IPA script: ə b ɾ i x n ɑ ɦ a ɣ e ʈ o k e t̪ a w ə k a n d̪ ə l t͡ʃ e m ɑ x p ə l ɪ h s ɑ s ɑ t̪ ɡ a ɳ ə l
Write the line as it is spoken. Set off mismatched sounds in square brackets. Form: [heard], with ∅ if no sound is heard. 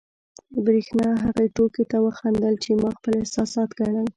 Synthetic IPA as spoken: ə b ɾ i x n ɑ ɦ a ɣ e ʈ o k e t̪ a w ə [x] a n d̪ ə l t͡ʃ e m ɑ x p ə l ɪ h s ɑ s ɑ t̪ ɡ a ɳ ə l